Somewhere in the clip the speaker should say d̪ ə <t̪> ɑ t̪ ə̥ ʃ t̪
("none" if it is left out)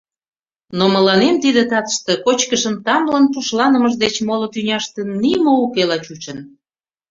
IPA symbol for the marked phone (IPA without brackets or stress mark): t̪